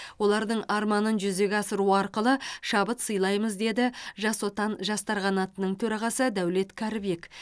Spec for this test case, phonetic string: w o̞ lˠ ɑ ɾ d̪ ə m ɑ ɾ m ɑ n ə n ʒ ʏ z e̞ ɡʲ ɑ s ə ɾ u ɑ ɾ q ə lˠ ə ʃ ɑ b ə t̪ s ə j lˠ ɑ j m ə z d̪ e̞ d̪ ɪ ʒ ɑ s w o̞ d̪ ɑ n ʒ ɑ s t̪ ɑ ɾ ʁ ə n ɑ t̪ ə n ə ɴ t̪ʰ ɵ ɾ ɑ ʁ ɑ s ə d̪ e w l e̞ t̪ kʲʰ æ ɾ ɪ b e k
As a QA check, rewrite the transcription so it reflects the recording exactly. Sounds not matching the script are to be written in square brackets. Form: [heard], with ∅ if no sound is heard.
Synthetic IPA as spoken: w o̞ lˠ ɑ ɾ d̪ ə [ɴ] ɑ ɾ m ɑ n ə n ʒ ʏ z e̞ ɡʲ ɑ s ə ɾ u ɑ ɾ q ə lˠ ə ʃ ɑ b ə t̪ s ə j lˠ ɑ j m ə z d̪ e̞ d̪ ɪ ʒ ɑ s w o̞ [t̪] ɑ n ʒ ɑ s t̪ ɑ ɾ ʁ [ɑ] n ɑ t̪ ə n ə ɴ t̪ʰ ɵ ɾ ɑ ʁ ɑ s ə d̪ [æ] w l e̞ t̪ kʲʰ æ ɾ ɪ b e k

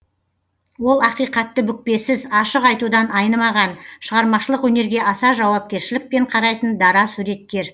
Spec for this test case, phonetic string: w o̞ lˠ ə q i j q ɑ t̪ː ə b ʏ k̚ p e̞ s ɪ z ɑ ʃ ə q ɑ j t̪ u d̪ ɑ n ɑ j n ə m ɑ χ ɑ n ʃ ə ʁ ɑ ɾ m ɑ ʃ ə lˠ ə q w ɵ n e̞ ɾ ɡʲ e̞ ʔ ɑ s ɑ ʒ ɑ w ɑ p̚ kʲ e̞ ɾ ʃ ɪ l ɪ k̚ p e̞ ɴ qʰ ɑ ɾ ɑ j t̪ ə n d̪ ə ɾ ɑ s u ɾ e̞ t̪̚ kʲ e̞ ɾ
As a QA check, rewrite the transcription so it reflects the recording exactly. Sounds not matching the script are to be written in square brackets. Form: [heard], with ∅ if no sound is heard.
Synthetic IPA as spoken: w o̞ lˠ [ɑ] q i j q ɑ t̪ː ə b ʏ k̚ p e̞ s ɪ z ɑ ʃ ə q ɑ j t̪ u d̪ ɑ n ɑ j n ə m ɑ [ʁ] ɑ n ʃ ə ʁ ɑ ɾ m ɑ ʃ ə lˠ ə q w ɵ n e̞ ɾ ɡʲ e̞ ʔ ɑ s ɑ ʒ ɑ w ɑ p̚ kʲ e̞ ɾ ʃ ɪ l ɪ k̚ p e̞ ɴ qʰ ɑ ɾ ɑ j t̪ ə n d̪ [ɑ] ɾ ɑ s u ɾ e̞ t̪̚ kʲ e̞ ɾ

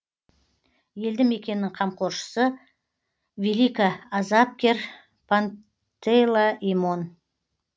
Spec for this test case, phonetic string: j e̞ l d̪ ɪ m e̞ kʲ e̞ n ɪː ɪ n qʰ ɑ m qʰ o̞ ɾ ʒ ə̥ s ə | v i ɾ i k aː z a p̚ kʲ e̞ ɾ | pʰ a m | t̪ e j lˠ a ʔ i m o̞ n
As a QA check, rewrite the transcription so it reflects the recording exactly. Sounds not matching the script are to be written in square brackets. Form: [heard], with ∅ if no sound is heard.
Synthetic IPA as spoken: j e̞ l d̪ ɪ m e̞ kʲ e̞ n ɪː ɪ [ŋ] qʰ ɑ m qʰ o̞ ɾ [ʃ] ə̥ s ə | v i [l] i k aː z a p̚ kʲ e̞ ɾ | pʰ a [n] | t̪ e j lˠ a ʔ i m o̞ n

